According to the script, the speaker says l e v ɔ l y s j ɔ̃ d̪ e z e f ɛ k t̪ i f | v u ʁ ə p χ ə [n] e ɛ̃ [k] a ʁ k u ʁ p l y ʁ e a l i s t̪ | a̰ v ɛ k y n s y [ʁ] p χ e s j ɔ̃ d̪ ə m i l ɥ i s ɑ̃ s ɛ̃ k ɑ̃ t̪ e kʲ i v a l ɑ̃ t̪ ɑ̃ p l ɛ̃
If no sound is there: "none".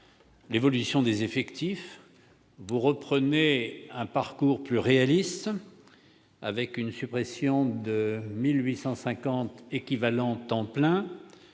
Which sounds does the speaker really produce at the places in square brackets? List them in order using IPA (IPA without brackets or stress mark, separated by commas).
n, p, none